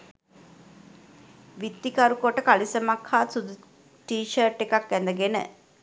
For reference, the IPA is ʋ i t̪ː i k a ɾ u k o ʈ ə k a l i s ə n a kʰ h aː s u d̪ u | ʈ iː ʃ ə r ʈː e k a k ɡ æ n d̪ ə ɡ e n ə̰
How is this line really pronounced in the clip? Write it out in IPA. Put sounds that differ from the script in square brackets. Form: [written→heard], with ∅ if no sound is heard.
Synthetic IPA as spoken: ʋ i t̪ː i k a ɾ u k o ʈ ə k a l i s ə [n→m] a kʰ h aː s u d̪ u | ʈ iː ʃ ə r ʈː e k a k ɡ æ n d̪ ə ɡ e n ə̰